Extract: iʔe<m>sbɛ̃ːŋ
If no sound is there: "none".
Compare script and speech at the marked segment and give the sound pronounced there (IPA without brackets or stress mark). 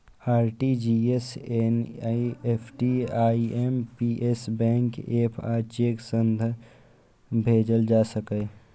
none